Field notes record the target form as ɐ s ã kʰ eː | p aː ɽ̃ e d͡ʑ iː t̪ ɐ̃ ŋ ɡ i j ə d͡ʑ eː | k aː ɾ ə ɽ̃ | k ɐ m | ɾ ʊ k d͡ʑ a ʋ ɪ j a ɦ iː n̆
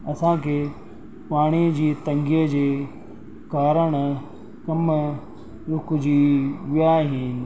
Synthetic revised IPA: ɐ s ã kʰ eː | p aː ɽ̃ i d͡ʑ iː t̪ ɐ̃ ŋ ɡ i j ə d͡ʑ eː | k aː ɾ ə ɽ̃ | k ɐ m | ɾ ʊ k d͡ʑ i ʋ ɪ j a ɦ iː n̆